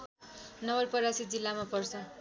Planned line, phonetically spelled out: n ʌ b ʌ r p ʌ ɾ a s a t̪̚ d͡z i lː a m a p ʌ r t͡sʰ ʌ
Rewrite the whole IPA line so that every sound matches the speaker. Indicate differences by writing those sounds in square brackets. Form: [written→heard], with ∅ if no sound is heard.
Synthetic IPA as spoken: n ʌ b ʌ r p ʌ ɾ a s [a→i] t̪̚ d͡z i lː a m a p ʌ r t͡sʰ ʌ